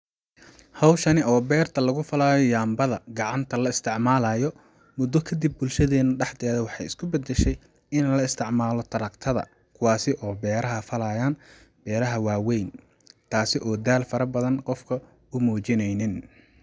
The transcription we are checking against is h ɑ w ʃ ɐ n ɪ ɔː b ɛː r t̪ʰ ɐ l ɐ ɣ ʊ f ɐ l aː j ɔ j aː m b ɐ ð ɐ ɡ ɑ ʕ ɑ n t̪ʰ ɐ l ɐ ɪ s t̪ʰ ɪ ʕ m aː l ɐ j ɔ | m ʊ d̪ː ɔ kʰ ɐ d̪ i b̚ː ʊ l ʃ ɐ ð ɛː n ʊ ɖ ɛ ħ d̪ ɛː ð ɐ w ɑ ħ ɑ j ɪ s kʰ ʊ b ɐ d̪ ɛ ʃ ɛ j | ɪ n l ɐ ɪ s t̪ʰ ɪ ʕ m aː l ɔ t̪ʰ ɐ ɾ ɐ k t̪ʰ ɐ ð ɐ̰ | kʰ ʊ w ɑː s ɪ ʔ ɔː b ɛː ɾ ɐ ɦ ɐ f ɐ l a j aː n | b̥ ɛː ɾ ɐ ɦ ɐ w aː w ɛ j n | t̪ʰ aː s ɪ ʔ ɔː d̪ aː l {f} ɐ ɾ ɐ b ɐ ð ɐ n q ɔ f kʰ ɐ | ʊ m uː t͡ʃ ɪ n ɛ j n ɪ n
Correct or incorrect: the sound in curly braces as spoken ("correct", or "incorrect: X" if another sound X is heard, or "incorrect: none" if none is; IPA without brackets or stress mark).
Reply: correct